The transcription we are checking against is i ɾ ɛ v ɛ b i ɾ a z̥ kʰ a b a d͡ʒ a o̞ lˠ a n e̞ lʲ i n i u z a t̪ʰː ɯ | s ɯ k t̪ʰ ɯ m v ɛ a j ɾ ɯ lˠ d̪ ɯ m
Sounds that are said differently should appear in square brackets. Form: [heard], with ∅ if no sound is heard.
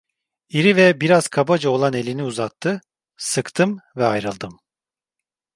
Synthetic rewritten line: i ɾ [i] v ɛ b i ɾ a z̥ kʰ a b a d͡ʒ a o̞ lˠ a n e̞ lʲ i n i u z a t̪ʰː ɯ | s ɯ k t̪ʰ ɯ m v ɛ a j ɾ ɯ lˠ d̪ ɯ m